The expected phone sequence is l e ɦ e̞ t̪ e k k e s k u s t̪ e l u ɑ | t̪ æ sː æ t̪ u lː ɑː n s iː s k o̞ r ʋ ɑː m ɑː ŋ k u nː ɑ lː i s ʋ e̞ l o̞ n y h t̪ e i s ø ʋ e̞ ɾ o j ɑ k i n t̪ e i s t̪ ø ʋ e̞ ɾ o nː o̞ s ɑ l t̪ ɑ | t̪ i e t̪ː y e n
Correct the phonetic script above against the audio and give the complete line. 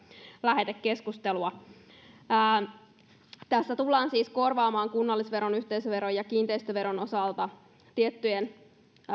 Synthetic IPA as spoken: l æ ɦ e̞ t̪ e k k e s k u s t̪ e l u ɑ | t̪ æ sː æ t̪ u lː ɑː n s iː s k o̞ r ʋ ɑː m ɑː ŋ k u nː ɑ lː i s ʋ e̞ ɾ o̞ n y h t̪ e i s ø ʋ e̞ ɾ o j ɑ k iː n t̪ e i s t̪ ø ʋ e̞ ɾ o n o̞ s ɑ l t̪ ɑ | t̪ i e t̪ː y e n